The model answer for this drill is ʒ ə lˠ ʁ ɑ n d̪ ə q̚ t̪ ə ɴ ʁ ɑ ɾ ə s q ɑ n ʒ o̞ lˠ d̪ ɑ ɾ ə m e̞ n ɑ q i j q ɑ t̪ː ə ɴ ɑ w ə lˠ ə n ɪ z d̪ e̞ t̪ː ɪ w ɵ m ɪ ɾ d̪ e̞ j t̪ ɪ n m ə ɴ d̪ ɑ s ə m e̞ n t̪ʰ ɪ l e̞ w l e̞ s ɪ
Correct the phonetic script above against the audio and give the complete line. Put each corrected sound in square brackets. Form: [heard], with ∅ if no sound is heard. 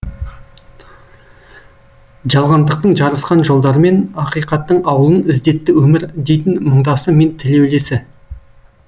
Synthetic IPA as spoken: ʒ [ɑ] lˠ ʁ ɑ n d̪ ə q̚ t̪ ə ɴ [ʒ] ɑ ɾ ə s q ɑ n ʒ o̞ lˠ d̪ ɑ ɾ ə m e̞ n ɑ q i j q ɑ t̪ː ə ɴ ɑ w ə lˠ ə n ɪ z d̪ e̞ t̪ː ɪ w ɵ m ɪ ɾ d̪ e̞ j t̪ ɪ n m ə ɴ d̪ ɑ s ə m e̞ n t̪ʰ ɪ l e̞ w l e̞ s ɪ

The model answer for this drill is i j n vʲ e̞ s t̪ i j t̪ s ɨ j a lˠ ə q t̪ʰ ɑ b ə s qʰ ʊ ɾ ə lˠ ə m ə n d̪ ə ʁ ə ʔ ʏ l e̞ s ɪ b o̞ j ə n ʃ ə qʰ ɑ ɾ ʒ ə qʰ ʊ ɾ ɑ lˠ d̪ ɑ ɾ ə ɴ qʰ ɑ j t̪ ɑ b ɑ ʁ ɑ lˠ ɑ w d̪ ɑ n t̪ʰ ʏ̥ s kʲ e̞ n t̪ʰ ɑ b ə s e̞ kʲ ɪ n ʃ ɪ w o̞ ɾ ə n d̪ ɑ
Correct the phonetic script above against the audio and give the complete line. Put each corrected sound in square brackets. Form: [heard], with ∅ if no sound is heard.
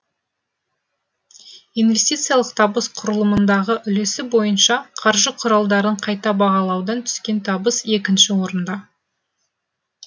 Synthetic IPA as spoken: i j n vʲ e̞ s t̪ i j t̪ s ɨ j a lˠ ə q t̪ʰ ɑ b ə s qʰ ʊ ɾ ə lˠ ə m ə n d̪ [ɑ] ʁ ə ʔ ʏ l e̞ s ɪ b o̞ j ə n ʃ [ɑ] qʰ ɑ ɾ ʒ ə qʰ ʊ ɾ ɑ lˠ d̪ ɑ ɾ ə ɴ qʰ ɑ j t̪ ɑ b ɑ ʁ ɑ lˠ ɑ w d̪ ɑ n t̪ʰ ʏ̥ s kʲ e̞ n t̪ʰ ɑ b ə s e̞ kʲ ɪ n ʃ ɪ w o̞ ɾ ə n d̪ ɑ

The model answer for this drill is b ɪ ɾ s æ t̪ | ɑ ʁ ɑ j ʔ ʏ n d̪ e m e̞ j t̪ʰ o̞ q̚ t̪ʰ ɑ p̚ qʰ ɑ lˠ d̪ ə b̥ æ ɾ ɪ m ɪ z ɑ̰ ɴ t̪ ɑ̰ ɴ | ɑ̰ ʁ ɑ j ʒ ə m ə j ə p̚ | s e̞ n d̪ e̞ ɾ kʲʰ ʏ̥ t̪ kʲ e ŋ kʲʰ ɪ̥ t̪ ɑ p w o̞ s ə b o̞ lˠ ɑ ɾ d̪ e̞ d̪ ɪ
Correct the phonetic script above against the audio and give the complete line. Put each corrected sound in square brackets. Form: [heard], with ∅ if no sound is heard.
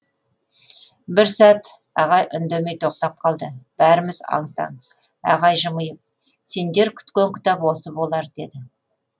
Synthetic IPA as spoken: b ɪ ɾ s æ t̪ | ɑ ʁ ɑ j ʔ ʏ n d̪ e m e̞ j t̪ʰ o̞ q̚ [t̪] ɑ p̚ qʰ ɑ lˠ d̪ ə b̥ æ ɾ ɪ m ɪ z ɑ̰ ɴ t̪ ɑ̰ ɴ | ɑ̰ ʁ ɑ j ʒ ə m ə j ə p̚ | s e̞ n d̪ e̞ ɾ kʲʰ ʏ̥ t̪ kʲ e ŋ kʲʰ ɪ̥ t̪ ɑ p w o̞ s ə b o̞ lˠ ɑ ɾ d̪ e̞ d̪ ɪ

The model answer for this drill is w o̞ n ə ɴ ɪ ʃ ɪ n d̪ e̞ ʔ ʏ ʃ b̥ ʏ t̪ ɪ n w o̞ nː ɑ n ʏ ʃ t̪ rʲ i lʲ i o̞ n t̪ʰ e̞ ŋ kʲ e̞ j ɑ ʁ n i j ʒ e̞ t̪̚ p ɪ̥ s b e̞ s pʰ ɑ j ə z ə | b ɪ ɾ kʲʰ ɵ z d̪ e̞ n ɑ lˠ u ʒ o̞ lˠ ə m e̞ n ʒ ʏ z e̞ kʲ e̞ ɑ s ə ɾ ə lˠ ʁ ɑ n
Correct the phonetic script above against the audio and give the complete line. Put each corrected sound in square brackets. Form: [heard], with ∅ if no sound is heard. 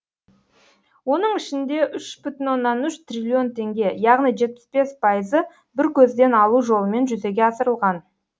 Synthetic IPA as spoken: w o̞ n ə ɴ ɪ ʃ ɪ n d̪ e̞ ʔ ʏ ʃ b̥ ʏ t̪ ɪ n w o̞ nː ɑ n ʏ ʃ t̪ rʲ i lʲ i o̞ n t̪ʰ e̞ ŋ [ɡʲ] e̞ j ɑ ʁ n i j ʒ e̞ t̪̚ p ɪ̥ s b e̞ s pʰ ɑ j ə z ə | b ɪ ɾ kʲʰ ɵ z d̪ e̞ n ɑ lˠ u ʒ o̞ lˠ ə m e̞ n ʒ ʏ z e̞ [ɡʲ] e̞ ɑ s ə ɾ ə lˠ ʁ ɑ n

